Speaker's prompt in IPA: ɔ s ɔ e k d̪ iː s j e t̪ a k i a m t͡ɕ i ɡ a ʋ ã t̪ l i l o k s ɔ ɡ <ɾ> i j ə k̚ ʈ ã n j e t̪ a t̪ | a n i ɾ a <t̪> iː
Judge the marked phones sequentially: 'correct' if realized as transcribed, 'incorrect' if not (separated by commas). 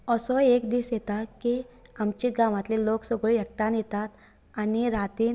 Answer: incorrect, correct